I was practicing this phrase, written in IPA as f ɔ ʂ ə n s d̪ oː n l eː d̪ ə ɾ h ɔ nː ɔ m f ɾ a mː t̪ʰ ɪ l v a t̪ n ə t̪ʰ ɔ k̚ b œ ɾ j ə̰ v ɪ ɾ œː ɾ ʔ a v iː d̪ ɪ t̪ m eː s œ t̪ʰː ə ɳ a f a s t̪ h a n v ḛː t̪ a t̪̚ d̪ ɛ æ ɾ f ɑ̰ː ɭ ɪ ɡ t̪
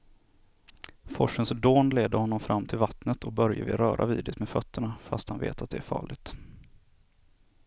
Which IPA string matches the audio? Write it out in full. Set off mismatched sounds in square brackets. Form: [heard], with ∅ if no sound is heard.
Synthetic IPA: f ɔ ʂ ə n s d̪ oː n l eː d̪ ə ɾ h ɔ nː ɔ m f ɾ a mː t̪ʰ ɪ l v a t̪ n ə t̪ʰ ɔ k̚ b œ ɾ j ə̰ v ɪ ɾ œː ɾ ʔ a v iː d̪ ɪ t̪ m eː [f] œ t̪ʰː ə ɳ a f a s t̪ h a n v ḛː t̪ a t̪̚ d̪ ɛ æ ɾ f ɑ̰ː ɭ ɪ ɡ t̪